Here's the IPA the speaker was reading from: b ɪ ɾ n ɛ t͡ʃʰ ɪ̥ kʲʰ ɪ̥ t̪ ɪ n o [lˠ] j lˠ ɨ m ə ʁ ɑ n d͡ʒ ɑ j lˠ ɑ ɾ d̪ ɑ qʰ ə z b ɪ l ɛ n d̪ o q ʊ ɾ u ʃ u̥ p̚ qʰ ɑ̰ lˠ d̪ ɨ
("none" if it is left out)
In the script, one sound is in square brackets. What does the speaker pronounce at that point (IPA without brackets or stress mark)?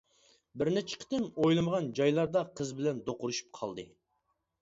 none